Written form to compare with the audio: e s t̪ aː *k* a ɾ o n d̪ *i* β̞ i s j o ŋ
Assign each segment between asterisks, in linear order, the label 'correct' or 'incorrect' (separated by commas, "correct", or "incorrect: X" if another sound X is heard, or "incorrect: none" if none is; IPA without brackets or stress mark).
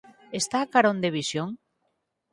correct, incorrect: e